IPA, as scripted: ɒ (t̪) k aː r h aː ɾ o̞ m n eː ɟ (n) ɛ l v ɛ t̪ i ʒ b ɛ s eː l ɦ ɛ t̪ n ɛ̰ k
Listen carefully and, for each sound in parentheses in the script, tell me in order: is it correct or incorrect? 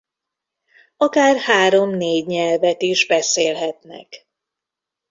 incorrect, incorrect

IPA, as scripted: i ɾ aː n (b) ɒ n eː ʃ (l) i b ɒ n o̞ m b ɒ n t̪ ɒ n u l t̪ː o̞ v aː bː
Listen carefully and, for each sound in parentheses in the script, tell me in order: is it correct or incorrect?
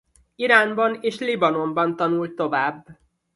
correct, correct

